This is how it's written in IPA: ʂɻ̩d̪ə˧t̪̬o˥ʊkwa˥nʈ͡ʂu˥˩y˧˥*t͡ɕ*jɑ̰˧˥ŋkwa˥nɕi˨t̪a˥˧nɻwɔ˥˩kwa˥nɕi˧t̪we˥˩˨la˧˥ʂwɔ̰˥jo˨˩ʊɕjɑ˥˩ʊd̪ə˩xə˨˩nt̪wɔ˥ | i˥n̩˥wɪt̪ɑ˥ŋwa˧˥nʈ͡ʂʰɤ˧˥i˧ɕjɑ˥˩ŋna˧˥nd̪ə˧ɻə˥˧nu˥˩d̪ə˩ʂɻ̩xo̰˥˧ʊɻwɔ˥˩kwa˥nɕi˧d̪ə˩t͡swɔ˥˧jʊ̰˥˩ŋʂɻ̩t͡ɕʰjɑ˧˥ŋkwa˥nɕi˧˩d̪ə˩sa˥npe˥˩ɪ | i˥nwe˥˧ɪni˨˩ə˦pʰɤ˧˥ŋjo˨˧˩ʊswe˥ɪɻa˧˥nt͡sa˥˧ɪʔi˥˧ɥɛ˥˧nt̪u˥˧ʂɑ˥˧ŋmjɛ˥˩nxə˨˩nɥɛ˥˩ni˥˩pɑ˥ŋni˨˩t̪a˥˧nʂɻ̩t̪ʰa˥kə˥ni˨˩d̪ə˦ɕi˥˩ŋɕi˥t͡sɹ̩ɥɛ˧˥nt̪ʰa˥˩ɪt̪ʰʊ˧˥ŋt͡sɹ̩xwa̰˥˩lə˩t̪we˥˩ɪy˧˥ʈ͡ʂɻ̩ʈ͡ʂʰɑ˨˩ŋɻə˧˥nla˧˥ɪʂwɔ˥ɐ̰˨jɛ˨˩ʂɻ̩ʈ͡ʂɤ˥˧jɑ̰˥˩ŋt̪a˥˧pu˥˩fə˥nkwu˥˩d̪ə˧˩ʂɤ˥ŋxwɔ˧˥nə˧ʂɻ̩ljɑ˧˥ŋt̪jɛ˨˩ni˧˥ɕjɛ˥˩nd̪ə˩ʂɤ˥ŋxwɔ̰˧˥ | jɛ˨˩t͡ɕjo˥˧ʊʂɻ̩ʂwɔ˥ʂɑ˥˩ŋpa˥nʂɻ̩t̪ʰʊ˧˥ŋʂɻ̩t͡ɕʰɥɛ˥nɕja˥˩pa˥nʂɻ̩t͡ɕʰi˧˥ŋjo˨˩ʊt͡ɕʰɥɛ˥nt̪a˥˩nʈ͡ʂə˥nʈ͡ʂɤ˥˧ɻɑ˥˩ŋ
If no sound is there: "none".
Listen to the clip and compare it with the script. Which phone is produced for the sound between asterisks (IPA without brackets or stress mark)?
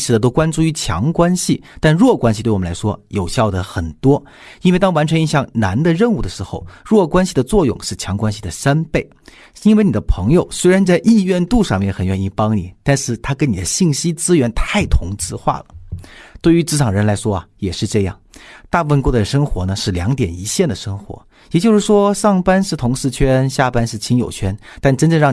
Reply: t͡ɕʰ